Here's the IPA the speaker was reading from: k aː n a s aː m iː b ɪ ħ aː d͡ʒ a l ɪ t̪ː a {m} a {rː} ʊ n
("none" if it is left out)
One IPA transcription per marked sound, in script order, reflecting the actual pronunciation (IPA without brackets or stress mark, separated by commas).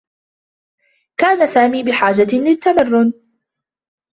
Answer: m, rː